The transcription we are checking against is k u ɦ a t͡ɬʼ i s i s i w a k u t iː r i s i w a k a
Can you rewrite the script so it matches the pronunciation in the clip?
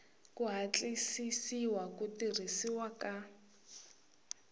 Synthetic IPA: k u ɦ a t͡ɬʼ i s i s i w a k u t i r i s i w a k a